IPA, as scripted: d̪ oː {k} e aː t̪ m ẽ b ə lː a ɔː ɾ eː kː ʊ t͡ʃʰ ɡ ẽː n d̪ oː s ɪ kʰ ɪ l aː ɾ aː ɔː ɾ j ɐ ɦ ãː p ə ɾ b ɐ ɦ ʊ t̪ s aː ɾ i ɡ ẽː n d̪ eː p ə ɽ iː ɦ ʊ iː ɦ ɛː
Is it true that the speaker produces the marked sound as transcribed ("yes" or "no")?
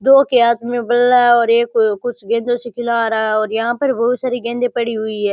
yes